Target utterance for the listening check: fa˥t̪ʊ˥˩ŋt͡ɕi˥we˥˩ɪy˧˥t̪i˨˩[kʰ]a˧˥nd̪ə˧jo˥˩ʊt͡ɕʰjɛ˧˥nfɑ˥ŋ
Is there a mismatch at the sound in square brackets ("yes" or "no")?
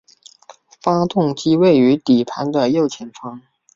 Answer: yes